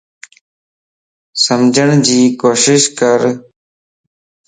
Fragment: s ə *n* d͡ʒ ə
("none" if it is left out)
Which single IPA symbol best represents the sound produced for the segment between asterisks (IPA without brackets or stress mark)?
m